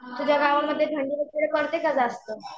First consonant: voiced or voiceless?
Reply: voiceless